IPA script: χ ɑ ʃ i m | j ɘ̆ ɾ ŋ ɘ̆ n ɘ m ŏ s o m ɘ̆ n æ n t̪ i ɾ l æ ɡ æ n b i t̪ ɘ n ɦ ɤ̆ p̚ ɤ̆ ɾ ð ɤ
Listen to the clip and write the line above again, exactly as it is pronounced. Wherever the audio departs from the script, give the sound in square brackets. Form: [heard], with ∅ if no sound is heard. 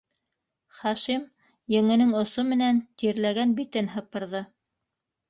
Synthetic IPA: χ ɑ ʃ i m | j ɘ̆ [∅] ŋ ɘ̆ n ɘ [ŋ] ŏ s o m ɘ̆ n æ n t̪ i ɾ l æ ɡ æ n b i t̪ ɘ n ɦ ɤ̆ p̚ ɤ̆ ɾ ð ɤ